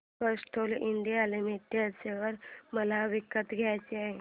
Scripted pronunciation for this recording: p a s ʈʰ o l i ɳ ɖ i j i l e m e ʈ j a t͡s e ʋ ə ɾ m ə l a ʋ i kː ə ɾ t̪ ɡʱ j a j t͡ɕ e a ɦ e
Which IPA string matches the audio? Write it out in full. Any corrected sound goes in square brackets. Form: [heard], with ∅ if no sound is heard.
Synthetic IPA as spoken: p [ə] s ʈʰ o l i ɳ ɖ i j [a] l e m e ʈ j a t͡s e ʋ ə ɾ m ə l a ʋ i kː ə [∅] t̪ ɡʱ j a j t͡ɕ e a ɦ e